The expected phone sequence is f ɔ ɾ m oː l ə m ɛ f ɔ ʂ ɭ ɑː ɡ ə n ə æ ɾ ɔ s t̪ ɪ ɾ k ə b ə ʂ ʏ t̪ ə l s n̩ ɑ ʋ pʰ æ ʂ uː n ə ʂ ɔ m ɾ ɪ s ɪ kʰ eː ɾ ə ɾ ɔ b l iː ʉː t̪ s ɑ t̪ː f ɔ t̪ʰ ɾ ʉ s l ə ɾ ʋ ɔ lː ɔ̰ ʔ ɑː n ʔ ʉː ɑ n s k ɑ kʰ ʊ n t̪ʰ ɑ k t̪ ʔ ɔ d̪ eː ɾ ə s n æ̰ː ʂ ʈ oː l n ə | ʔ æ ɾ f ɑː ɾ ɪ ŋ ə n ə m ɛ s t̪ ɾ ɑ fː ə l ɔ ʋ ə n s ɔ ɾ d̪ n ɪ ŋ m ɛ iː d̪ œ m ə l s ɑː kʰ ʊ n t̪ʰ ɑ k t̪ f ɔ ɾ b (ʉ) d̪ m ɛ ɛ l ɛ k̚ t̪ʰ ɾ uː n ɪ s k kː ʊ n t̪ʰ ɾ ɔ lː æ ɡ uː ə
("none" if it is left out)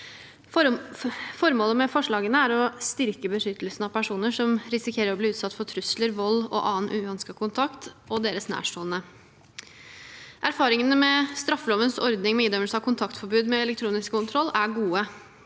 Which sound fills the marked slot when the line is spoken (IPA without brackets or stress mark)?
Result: ʉː